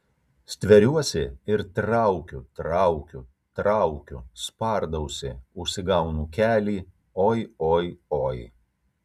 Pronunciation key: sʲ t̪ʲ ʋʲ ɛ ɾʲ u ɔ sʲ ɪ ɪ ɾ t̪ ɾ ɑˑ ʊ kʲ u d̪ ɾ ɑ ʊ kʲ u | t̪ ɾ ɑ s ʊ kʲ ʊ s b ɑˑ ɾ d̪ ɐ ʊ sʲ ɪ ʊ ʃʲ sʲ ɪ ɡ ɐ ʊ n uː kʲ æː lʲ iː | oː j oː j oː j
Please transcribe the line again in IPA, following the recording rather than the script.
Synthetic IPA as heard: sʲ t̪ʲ ʋʲ ɛ ɾʲ u ɔ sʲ ɪ ɪ ɾ t̪ ɾ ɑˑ ʊ kʲ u t̪ ɾ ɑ ʊ kʲ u | t̪ ɾ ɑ ʊ kʲ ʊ s p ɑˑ ɾ d̪ ɐ ʊ sʲ ɪ ʊ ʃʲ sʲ ɪ ɡ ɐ ʊ n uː kʲ æː lʲ iː | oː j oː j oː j